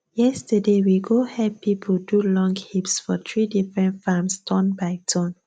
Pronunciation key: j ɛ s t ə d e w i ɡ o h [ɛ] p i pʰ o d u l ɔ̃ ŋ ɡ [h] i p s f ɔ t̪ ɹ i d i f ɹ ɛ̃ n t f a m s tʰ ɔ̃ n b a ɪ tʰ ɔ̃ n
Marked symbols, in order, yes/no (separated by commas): yes, yes